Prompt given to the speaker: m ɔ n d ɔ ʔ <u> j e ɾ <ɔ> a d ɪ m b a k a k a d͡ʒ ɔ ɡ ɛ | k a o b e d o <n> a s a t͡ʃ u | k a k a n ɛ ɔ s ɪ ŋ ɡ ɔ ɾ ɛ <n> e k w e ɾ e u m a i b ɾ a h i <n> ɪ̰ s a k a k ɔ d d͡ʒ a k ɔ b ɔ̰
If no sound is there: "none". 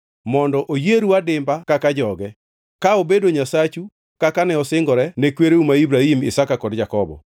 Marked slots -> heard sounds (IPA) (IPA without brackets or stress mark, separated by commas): o, u, ɲ, n, m